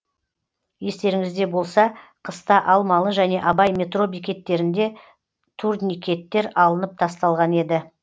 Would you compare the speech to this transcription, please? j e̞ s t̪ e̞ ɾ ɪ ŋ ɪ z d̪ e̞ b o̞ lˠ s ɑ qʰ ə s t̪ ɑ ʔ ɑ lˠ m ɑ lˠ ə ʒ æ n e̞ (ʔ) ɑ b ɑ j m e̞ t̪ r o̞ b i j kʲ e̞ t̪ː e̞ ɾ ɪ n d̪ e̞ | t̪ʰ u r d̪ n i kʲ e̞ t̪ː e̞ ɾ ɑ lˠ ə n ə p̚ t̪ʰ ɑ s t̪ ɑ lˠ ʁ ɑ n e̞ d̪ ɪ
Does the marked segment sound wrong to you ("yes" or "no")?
no